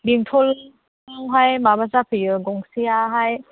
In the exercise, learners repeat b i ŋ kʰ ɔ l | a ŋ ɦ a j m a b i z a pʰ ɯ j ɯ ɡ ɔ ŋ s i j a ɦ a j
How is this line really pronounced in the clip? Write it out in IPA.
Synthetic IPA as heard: b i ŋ tʰ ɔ l | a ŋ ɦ a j m a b a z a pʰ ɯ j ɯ ɡ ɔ ŋ s i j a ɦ a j